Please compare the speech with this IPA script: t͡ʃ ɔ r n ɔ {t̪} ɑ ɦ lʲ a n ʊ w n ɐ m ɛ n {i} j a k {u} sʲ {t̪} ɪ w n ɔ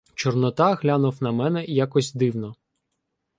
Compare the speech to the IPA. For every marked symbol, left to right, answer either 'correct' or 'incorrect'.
correct, incorrect, incorrect, incorrect

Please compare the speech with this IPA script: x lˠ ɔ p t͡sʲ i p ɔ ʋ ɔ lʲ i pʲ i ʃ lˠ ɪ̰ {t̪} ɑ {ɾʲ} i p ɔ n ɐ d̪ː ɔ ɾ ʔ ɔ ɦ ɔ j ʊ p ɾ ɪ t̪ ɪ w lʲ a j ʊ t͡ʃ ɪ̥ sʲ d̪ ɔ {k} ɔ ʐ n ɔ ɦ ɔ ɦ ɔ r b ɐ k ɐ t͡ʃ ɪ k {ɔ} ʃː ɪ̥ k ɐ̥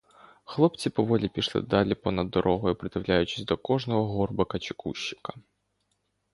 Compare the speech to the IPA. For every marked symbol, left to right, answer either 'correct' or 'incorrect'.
incorrect, incorrect, correct, incorrect

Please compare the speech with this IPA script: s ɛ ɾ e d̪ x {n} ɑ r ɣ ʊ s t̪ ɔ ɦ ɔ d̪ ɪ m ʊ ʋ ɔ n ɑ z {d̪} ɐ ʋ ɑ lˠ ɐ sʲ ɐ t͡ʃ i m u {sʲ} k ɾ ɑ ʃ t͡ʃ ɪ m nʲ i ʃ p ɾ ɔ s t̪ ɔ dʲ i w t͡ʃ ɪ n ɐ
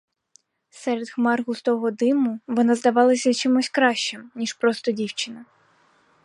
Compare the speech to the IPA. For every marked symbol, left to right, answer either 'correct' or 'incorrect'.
incorrect, correct, correct

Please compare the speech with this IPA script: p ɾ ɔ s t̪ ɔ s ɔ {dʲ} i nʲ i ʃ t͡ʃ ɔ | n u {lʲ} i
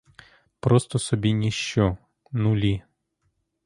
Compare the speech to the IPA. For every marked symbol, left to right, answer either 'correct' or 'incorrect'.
incorrect, correct

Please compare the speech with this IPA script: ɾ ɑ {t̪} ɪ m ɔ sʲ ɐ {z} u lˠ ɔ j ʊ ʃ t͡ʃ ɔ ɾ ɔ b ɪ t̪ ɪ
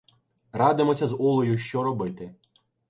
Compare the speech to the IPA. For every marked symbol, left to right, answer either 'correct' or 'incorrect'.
incorrect, correct

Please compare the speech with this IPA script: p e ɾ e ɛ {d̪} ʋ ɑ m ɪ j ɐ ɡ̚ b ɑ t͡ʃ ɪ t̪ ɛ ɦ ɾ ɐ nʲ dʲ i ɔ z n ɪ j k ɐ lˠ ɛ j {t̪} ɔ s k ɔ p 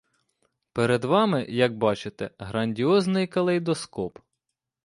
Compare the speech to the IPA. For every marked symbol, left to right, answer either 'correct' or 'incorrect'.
correct, incorrect

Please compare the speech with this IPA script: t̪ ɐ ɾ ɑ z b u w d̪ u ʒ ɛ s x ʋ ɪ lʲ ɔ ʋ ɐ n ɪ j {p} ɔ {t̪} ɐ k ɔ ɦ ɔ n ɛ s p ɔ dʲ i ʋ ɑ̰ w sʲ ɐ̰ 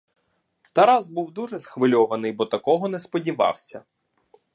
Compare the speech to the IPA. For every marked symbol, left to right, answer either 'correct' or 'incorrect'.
incorrect, correct

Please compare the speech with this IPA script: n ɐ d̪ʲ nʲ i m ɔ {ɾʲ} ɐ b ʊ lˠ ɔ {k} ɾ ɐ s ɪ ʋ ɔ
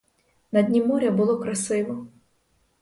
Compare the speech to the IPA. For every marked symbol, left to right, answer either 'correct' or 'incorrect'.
correct, correct

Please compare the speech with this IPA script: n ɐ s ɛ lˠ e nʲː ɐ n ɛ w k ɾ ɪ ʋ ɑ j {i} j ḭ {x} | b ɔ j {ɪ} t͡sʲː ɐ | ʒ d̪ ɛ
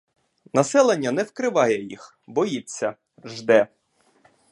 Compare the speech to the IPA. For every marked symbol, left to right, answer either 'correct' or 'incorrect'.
incorrect, correct, incorrect

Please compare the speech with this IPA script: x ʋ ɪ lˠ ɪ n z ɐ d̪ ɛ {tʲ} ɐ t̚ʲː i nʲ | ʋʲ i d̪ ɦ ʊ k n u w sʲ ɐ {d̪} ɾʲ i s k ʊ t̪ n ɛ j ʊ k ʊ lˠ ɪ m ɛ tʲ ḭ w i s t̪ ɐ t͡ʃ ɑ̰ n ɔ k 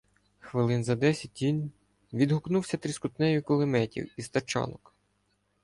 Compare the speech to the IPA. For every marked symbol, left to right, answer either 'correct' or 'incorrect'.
incorrect, incorrect

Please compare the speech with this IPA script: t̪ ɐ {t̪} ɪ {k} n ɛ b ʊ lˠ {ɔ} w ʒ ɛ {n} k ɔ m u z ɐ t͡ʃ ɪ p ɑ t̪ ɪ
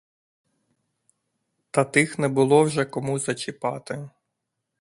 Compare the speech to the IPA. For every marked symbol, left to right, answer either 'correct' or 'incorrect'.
correct, incorrect, correct, incorrect

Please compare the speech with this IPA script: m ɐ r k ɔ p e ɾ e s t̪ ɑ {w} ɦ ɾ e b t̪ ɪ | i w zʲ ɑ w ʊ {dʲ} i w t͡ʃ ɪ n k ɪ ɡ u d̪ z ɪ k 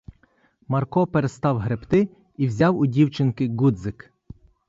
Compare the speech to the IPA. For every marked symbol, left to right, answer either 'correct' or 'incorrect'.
correct, correct

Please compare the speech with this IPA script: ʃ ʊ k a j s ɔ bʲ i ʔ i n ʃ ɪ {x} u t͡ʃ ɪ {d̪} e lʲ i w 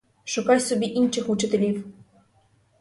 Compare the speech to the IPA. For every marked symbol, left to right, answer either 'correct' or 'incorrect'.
correct, incorrect

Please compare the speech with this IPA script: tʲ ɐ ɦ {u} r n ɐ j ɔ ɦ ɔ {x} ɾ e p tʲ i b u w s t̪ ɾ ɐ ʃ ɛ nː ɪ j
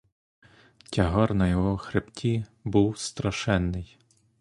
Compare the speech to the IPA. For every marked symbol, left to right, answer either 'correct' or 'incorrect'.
incorrect, correct

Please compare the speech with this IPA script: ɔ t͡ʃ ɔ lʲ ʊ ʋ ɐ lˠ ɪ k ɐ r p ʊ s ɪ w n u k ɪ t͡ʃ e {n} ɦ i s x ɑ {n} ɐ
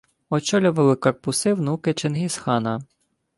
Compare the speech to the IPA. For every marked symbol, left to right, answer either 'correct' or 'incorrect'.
correct, correct

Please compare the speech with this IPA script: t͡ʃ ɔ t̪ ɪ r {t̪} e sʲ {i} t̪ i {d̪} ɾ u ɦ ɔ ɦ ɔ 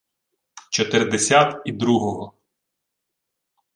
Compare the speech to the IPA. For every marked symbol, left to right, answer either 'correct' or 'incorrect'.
incorrect, incorrect, correct

